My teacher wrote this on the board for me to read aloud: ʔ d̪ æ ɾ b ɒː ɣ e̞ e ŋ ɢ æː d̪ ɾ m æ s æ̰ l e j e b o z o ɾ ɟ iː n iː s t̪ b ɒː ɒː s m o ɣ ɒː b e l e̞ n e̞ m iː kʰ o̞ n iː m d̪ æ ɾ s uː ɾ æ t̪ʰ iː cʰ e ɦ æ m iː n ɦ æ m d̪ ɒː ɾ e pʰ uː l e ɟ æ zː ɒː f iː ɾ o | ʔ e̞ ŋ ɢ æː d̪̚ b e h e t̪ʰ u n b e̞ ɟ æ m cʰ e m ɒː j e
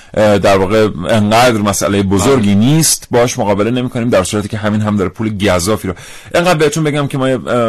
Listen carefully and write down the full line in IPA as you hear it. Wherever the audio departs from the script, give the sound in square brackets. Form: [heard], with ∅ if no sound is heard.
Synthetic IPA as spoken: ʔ d̪ æ ɾ [v] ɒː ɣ e̞ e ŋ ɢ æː d̪ ɾ m æ s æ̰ l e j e b o z o ɾ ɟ iː n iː s t̪ b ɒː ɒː [ʃ] m o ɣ ɒː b e l e̞ n e̞ m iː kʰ o̞ n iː m d̪ æ ɾ s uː ɾ æ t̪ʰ iː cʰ e ɦ æ m iː n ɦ æ m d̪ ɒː ɾ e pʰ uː l e ɟ æ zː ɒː f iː ɾ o | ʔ e̞ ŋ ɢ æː d̪̚ b e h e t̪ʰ u n b e̞ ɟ æ m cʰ e m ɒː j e